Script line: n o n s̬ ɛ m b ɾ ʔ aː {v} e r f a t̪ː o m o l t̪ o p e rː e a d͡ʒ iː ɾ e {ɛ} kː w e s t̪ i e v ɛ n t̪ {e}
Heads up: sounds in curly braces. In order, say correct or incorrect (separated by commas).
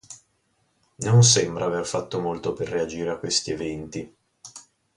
correct, incorrect, incorrect